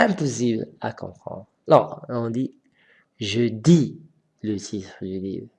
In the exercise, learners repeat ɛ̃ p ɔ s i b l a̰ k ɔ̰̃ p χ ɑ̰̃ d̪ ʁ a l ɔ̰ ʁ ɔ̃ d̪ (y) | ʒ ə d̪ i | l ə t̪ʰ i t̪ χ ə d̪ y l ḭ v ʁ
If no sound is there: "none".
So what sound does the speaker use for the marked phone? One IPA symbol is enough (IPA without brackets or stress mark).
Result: i